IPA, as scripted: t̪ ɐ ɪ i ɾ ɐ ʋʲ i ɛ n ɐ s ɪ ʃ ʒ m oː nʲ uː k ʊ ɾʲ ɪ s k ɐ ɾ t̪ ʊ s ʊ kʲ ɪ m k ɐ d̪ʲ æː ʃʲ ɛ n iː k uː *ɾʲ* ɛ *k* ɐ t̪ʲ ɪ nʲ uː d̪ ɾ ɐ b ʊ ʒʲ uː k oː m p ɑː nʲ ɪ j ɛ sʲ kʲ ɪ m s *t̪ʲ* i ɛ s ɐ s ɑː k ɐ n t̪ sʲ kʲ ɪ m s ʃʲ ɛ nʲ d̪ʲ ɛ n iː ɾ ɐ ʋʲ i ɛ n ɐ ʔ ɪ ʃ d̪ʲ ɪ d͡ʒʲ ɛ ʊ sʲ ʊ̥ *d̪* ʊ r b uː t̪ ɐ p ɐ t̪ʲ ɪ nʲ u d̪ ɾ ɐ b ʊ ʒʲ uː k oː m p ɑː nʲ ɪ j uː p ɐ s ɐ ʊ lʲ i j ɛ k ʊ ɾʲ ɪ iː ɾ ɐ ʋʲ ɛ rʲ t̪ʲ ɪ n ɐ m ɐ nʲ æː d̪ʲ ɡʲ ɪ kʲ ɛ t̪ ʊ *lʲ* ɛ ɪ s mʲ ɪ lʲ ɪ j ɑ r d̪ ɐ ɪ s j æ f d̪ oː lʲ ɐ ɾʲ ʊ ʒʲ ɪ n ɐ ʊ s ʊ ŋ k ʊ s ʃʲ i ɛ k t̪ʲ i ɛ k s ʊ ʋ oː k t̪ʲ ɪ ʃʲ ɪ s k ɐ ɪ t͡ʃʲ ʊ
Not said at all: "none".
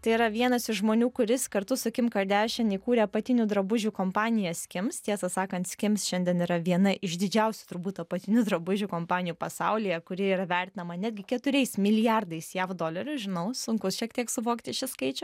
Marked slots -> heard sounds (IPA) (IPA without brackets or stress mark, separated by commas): ɾʲ, p, t̪ʲ, t̪, ɾʲ